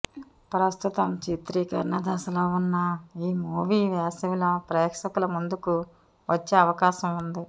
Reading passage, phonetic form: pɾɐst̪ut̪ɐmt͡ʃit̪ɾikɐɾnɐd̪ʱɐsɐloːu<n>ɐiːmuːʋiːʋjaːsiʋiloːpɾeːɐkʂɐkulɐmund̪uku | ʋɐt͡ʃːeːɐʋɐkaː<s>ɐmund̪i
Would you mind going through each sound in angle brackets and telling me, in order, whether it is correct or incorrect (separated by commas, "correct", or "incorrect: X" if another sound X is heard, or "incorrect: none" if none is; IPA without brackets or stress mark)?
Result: incorrect: nː, incorrect: ʃ